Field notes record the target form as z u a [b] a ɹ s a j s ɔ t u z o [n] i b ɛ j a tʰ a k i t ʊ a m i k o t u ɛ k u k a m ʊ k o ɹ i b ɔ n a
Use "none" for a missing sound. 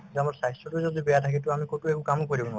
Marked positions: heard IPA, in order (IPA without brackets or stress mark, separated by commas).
m, d